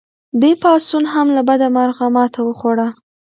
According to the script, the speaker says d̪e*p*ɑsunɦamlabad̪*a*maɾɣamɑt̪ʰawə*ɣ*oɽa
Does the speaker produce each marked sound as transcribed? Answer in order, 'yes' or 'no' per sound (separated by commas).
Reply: yes, yes, no